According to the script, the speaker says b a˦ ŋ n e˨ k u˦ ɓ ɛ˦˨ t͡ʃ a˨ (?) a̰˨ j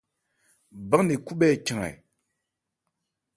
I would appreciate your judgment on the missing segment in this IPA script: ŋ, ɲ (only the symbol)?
ŋ